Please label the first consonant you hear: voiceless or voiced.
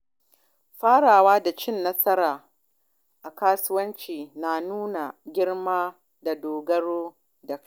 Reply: voiceless